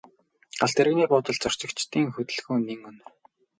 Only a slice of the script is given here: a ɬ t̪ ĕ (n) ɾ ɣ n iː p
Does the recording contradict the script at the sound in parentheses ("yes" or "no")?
yes